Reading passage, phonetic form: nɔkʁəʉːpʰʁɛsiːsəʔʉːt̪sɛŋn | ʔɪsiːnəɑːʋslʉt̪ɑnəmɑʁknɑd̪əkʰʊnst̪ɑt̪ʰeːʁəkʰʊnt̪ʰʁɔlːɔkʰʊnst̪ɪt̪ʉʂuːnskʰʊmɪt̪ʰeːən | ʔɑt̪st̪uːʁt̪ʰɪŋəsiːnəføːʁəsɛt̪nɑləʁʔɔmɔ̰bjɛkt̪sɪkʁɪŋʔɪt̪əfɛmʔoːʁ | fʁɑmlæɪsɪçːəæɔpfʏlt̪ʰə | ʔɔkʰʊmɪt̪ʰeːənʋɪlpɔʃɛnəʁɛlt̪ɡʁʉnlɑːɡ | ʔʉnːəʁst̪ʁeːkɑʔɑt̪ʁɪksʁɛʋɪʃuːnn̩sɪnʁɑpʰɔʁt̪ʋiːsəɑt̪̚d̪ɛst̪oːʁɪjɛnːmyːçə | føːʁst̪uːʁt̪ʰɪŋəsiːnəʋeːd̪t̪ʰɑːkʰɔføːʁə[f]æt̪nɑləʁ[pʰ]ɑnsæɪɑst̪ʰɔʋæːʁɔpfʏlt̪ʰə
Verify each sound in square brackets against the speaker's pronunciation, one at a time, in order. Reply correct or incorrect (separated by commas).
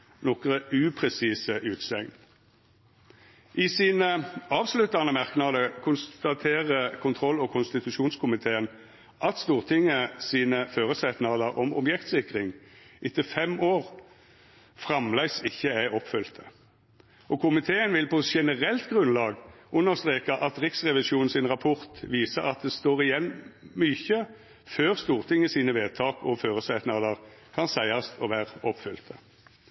incorrect, incorrect